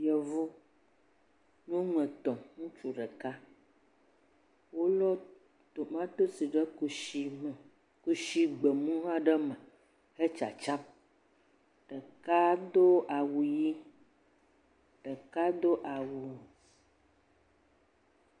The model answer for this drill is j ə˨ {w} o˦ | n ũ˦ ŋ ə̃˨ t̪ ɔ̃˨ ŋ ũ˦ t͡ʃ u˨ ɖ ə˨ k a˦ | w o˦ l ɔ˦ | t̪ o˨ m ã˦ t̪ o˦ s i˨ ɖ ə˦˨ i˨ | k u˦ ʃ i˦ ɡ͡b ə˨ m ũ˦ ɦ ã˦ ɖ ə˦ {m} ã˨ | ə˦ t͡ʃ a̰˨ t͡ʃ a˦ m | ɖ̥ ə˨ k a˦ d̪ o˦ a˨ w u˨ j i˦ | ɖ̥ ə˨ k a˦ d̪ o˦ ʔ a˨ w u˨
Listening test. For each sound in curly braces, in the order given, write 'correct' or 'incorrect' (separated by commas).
incorrect, correct